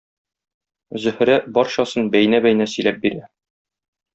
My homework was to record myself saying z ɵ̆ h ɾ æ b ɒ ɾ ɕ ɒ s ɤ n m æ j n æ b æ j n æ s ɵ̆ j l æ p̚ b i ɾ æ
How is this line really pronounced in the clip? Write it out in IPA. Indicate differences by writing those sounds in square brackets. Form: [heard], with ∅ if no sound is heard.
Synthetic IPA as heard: z ɵ̆ h ɾ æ b ɒ ɾ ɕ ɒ s ɤ n [b] æ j n æ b æ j n æ s ɵ̆ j l æ p̚ b i ɾ æ

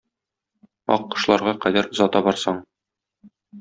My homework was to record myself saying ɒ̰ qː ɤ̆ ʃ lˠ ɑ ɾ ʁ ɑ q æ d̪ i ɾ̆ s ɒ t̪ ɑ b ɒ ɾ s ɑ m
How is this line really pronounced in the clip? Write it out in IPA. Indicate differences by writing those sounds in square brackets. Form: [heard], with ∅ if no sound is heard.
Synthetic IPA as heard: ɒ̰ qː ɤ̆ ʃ lˠ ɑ ɾ ʁ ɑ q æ d̪ [æ] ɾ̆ [z] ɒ t̪ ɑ b ɒ ɾ s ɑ [ɴ]

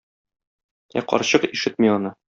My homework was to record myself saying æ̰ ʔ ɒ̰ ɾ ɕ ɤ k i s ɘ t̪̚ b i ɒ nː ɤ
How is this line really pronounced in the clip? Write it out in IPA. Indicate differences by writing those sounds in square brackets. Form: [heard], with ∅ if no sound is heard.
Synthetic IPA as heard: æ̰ [q] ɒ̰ ɾ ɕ ɤ [q] i [ʃ] ɘ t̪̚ [m] i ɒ [n] ɤ

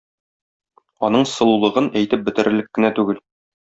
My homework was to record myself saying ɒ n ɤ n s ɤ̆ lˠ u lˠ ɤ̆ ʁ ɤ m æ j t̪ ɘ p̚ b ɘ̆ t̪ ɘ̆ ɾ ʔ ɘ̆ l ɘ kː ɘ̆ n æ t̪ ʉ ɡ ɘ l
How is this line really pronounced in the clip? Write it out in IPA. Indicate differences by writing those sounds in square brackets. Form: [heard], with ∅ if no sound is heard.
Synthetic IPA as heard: ɒ n ɤ [ɴ] s ɤ̆ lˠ u lˠ ɤ̆ ʁ ɤ [n] æ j t̪ ɘ p̚ b ɘ̆ t̪ ɘ̆ ɾ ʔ ɘ̆ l ɘ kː ɘ̆ n æ t̪ ʉ ɡ ɘ l

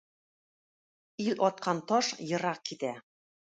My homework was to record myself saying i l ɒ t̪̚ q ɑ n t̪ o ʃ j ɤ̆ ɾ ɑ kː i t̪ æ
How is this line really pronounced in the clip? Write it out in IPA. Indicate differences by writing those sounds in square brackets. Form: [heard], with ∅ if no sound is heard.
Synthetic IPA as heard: i l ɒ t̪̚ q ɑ n t̪ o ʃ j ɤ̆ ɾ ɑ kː i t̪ æ

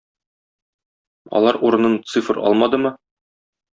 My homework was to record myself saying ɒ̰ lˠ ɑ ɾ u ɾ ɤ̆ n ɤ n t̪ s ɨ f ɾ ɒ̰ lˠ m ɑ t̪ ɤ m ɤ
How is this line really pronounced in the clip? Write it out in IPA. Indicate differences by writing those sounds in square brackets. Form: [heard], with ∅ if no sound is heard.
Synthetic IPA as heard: ɒ̰ lˠ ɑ ɾ u ɾ ɤ̆ n ɤ n t̪ s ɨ f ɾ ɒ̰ lˠ m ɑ [d̪] ɤ m ɤ

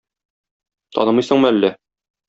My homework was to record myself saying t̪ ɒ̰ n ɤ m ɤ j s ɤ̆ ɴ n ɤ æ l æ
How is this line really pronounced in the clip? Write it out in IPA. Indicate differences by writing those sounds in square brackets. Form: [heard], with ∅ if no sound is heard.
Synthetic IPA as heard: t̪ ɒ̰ n ɤ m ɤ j s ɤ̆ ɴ [m] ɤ æ [lː] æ

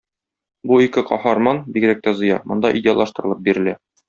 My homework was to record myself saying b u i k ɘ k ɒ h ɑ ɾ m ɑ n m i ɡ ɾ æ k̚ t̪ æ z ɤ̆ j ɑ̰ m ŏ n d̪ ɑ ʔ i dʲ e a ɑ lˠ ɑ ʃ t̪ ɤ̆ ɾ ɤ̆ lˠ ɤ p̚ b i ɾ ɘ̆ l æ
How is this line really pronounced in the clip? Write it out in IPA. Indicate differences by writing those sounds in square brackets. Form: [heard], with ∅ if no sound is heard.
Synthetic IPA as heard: b u i k ɘ [q] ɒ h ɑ ɾ m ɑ n [b] i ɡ ɾ æ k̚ t̪ æ z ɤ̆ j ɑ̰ m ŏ n d̪ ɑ ʔ i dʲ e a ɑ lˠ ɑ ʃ t̪ ɤ̆ ɾ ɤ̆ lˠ ɤ p̚ b i ɾ ɘ̆ l æ

